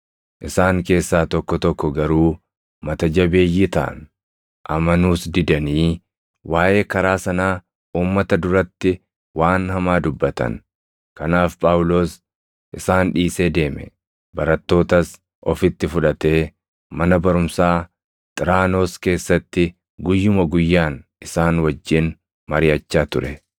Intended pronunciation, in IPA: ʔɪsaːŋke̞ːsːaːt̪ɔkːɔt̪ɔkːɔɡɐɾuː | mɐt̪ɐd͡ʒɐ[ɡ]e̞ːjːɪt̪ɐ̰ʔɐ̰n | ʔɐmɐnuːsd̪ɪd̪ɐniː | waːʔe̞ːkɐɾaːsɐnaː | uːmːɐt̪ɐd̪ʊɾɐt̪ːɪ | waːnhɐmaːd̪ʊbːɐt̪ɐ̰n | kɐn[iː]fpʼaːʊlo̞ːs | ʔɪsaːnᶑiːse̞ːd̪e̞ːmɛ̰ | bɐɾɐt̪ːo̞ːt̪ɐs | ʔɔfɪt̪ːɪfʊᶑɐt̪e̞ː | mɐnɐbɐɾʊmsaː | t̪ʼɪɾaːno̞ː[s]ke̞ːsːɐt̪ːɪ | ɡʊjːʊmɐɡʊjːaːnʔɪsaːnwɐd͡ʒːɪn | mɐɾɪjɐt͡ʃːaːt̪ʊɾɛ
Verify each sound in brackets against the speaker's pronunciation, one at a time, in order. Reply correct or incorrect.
incorrect, incorrect, correct

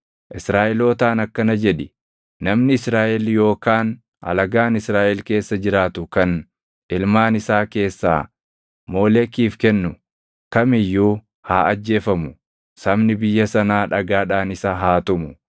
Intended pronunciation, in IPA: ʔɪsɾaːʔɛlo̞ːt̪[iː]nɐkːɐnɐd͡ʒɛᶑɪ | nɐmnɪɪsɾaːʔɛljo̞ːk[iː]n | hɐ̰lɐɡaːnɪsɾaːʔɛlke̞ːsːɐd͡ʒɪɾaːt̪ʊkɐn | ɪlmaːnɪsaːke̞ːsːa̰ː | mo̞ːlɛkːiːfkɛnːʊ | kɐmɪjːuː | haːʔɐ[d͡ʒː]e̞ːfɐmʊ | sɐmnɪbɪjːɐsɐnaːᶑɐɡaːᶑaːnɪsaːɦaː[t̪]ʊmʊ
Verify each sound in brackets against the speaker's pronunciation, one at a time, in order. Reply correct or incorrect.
incorrect, incorrect, correct, correct

